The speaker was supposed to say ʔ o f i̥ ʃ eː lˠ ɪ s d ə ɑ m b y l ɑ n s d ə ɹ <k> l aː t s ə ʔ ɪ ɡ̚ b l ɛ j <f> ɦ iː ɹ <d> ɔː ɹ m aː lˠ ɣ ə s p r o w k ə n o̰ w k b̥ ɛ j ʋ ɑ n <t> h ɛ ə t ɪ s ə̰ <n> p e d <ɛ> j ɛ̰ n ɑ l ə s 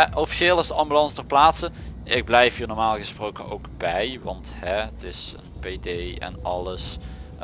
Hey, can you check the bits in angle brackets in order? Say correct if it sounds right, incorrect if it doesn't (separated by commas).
incorrect, correct, incorrect, correct, correct, incorrect